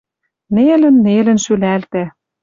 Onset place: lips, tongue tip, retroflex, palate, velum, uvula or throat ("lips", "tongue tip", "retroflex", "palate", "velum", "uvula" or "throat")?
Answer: tongue tip